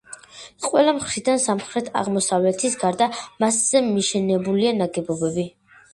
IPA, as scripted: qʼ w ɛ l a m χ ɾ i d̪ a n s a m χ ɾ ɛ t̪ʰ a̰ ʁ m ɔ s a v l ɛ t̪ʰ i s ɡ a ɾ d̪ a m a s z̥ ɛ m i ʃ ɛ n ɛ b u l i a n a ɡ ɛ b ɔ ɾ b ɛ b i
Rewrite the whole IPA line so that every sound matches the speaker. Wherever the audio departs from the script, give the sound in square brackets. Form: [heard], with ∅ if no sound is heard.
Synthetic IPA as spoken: qʼ w ɛ l a m χ ɾ i d̪ a n s a m χ ɾ ɛ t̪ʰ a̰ ʁ m ɔ s a v l ɛ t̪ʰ i s ɡ a ɾ d̪ a m a s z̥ ɛ m i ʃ ɛ n ɛ b u l i a n a ɡ ɛ b ɔ [∅] b ɛ b i

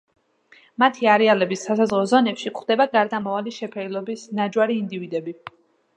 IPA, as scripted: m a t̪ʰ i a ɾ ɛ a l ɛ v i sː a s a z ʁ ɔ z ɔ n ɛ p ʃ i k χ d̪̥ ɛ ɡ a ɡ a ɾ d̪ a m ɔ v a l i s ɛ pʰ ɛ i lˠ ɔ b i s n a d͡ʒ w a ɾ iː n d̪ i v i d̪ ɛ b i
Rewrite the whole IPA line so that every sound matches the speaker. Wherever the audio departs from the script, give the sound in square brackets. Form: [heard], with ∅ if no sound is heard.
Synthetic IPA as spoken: m a t̪ʰ i a ɾ ɛ a l ɛ [b] i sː a s a z ʁ ɔ z ɔ n ɛ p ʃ i k χ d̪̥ ɛ [b] a ɡ a ɾ d̪ a m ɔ v a l i [ʃ] ɛ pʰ ɛ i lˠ ɔ b i s n a d͡ʒ w a ɾ iː n d̪ i v i d̪ ɛ b i

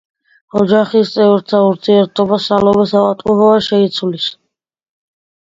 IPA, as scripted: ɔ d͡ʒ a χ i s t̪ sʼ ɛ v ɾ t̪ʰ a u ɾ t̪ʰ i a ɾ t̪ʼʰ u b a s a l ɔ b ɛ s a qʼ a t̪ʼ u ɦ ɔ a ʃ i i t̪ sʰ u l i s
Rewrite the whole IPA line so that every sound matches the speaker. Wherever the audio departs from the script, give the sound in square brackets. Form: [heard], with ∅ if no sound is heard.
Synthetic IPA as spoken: ɔ d͡ʒ a χ i s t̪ sʼ ɛ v ɾ t̪ʰ a u ɾ t̪ʰ i [ɛ] ɾ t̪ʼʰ [ɔ] b a s a l ɔ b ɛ s a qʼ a t̪ʼ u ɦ ɔ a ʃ [ɛ] i t̪ sʰ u l i s

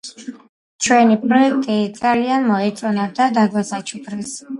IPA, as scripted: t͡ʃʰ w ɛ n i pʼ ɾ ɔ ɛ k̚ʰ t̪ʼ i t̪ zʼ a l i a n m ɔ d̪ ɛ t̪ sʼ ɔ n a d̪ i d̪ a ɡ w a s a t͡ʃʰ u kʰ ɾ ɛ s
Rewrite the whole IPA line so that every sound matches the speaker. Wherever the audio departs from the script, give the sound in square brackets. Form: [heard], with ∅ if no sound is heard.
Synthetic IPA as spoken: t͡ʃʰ w ɛ n i pʼ ɾ ɔ ɛ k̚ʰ t̪ʼ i [d̪] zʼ a l i a n m ɔ [∅] ɛ t̪ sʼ ɔ n a d̪ [a] d̪ a ɡ w a s a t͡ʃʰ u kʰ ɾ ɛ s

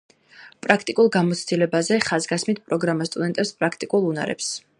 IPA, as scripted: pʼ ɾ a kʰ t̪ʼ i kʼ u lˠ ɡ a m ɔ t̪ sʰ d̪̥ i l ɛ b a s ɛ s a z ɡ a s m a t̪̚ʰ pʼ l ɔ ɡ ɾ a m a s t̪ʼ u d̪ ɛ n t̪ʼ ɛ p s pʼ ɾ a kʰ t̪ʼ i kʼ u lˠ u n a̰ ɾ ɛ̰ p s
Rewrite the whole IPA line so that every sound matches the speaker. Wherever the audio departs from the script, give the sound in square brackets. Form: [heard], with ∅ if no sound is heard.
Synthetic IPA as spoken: pʼ ɾ a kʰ t̪ʼ i kʼ u lˠ ɡ a m ɔ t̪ sʰ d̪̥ i l ɛ b a [z] ɛ [χ] a z ɡ a s m [i] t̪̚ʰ pʼ [ɾ] ɔ ɡ ɾ a m a s t̪ʼ u d̪ ɛ n t̪ʼ ɛ p s pʼ ɾ a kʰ t̪ʼ i kʼ u lˠ u n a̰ ɾ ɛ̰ p s

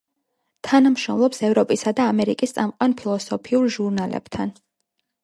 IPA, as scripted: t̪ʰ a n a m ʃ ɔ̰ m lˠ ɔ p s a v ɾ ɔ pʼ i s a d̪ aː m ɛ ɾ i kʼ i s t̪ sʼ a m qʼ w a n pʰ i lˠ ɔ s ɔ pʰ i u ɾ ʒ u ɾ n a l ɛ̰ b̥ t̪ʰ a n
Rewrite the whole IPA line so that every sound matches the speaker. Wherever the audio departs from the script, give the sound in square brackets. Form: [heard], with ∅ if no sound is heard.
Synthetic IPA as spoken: t̪ʰ a n a m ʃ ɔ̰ m lˠ ɔ p s [ɛ] v ɾ ɔ pʼ i s a d̪ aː m ɛ ɾ i kʼ i s t̪ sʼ a m qʼ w a n pʰ i lˠ ɔ s ɔ pʰ i u ɾ ʒ u ɾ n a l ɛ̰ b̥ t̪ʰ a n

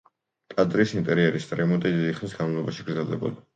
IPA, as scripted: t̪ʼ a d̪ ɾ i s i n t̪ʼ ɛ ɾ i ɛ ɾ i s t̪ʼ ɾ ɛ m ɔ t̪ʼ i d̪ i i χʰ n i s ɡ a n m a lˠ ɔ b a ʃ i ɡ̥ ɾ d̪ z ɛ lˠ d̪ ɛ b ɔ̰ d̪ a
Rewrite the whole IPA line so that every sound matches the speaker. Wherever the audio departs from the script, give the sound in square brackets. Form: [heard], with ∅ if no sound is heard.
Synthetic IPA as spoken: t̪ʼ a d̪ ɾ i s i n t̪ʼ ɛ ɾ i ɛ ɾ i s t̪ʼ ɾ ɛ m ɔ t̪ʼ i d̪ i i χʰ n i s ɡ a n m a lˠ ɔ b a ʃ i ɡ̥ ɾ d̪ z ɛ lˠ d̪ ɛ b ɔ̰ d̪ a

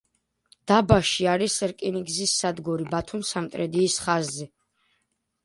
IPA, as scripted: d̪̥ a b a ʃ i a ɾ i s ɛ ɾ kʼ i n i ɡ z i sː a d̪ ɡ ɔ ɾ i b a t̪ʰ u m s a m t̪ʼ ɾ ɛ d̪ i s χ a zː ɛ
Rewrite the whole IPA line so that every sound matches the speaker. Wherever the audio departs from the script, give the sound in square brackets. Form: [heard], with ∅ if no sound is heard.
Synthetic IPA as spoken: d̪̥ a b a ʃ i a ɾ i s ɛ ɾ kʼ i n i ɡ z i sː a d̪ ɡ ɔ ɾ i b a t̪ʰ u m s a m t̪ʼ ɾ ɛ d̪ [iː] s χ a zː ɛ

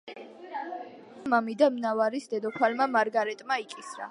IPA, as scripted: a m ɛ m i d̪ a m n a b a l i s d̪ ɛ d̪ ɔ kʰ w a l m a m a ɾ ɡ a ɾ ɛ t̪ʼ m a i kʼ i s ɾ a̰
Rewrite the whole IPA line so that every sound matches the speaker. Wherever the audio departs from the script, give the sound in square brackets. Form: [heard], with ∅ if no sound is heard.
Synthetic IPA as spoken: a m [a] m i d̪ a m n a [v] a [ɾ] i s d̪ ɛ d̪ ɔ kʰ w a l m a m a ɾ ɡ a ɾ ɛ t̪ʼ m a i kʼ i s ɾ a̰

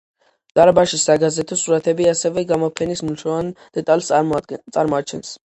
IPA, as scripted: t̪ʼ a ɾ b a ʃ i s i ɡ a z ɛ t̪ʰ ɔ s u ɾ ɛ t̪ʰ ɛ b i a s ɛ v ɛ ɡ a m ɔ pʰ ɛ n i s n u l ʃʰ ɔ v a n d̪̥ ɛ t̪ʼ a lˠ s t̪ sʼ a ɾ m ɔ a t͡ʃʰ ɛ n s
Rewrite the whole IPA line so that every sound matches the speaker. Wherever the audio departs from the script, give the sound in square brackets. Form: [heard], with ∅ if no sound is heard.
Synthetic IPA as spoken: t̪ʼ a ɾ b a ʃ i s [a] ɡ a z ɛ t̪ʰ ɔ s u ɾ [a] t̪ʰ ɛ b i a s ɛ v ɛ ɡ a m ɔ pʰ ɛ n i s [m] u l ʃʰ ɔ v a n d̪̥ ɛ t̪ʼ a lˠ s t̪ sʼ a ɾ m ɔ a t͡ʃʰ ɛ n s

